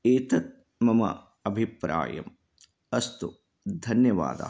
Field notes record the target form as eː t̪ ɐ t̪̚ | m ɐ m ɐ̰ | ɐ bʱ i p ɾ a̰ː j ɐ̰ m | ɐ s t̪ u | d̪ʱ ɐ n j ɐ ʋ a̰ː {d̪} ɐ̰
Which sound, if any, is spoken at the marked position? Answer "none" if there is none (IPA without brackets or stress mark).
d̪